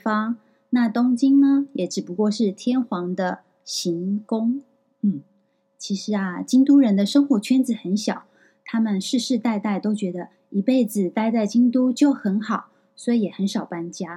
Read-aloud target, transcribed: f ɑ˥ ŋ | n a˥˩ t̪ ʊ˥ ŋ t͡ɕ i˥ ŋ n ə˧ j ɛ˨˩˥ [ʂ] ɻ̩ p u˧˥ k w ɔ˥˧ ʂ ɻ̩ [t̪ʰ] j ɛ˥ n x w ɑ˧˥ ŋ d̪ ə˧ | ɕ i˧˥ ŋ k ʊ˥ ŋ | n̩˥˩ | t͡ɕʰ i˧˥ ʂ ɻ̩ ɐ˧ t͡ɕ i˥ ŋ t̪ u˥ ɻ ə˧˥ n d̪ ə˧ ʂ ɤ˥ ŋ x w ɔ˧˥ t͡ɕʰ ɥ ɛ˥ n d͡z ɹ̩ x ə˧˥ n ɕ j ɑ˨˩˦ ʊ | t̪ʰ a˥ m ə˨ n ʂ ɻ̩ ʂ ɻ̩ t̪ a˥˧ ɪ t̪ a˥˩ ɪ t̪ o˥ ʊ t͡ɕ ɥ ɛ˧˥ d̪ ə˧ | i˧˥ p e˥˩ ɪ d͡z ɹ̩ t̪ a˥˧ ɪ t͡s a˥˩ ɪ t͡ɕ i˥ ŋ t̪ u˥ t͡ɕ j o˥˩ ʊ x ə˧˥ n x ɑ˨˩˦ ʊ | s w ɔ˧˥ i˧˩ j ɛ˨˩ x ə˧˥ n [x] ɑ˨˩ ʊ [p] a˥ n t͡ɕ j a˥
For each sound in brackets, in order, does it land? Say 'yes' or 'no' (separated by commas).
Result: no, yes, no, yes